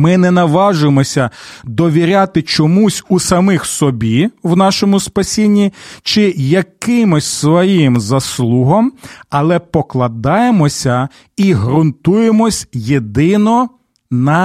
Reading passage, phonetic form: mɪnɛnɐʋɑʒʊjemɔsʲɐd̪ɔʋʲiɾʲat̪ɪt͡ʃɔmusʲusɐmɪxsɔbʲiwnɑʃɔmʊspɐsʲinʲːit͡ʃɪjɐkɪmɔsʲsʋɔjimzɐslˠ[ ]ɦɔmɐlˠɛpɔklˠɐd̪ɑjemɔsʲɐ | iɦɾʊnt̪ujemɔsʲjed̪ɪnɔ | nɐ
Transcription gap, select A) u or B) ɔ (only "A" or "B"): A